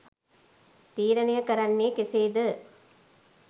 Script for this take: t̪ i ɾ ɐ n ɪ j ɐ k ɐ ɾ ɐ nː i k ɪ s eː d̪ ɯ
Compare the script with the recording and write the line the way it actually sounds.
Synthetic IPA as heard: t̪ iː ɾ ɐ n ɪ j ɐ k ɐ ɾ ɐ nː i k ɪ s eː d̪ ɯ